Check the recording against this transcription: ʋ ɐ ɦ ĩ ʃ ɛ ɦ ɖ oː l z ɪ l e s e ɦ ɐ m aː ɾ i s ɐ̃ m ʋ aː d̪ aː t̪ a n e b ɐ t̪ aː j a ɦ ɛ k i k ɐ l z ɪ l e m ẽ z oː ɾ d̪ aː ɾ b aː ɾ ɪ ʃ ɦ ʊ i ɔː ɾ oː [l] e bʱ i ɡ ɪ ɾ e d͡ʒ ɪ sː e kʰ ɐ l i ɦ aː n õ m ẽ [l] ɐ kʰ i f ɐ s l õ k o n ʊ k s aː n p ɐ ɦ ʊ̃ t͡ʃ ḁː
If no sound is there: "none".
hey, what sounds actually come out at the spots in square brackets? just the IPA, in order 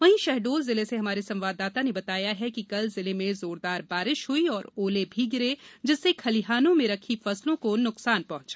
l, ɾ

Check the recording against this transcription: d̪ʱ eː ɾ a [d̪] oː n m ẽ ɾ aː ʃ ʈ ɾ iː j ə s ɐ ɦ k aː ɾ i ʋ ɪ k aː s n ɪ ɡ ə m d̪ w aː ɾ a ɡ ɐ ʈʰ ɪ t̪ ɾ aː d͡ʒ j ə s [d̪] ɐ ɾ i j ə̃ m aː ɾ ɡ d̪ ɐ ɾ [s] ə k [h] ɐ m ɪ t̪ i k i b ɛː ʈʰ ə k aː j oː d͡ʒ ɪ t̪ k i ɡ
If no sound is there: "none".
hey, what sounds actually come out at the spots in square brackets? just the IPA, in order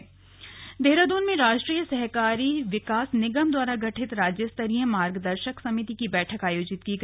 d̪, t̪, ʃ, s

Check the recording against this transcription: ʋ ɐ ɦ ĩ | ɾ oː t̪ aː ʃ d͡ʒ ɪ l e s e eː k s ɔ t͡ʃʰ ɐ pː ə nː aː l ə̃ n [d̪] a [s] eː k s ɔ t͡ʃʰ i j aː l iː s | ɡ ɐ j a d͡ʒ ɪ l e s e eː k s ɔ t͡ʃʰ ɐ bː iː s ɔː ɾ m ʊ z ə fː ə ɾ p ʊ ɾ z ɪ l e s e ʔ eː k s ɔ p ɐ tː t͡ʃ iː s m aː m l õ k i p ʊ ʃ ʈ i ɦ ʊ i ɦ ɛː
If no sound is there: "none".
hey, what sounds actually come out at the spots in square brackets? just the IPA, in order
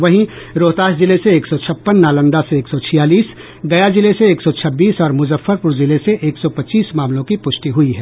d̪, s

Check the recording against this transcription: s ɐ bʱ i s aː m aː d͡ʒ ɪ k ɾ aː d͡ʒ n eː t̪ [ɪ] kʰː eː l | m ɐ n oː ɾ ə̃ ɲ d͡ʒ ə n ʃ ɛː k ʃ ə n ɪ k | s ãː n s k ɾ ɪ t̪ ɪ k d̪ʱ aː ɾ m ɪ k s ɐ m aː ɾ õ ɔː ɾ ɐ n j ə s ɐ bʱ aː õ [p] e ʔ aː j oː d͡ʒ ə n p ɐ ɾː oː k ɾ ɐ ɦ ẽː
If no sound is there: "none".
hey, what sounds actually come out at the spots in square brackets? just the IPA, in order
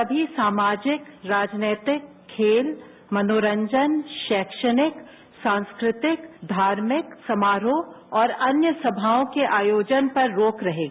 ɪ, k

